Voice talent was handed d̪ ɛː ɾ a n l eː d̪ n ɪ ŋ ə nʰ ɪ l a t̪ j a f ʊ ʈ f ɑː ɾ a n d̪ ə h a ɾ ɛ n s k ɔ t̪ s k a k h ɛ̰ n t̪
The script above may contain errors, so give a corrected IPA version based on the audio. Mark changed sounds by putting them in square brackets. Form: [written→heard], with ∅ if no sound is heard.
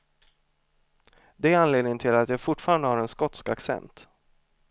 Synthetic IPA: d̪ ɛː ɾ a n l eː d̪ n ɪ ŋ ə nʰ ɪ l a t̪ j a f ʊ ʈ f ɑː ɾ a n d̪ ə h a ɾ ɛ n s k ɔ t̪ s k a k [h→s] ɛ̰ n t̪